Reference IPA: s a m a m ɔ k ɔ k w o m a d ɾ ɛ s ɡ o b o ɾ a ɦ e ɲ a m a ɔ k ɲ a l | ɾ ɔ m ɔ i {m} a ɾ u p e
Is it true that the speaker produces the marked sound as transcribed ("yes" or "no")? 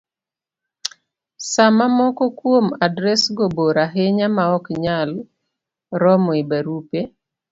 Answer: no